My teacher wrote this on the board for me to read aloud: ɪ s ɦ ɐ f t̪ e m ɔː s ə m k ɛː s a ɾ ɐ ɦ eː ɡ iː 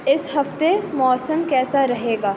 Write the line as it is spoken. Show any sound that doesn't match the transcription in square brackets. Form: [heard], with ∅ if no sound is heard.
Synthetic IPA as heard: ɪ s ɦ ɐ f t̪ e m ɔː s ə m k ɛː s a ɾ ɐ ɦ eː ɡ [aː]